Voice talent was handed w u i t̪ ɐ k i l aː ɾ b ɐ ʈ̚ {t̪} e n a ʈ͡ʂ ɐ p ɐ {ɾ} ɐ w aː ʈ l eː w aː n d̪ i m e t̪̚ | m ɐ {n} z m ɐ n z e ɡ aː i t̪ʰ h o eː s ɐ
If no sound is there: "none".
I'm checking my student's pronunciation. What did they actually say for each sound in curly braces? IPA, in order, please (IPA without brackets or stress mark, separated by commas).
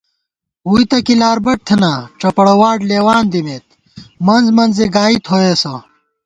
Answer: t̪ʰ, ɽ, n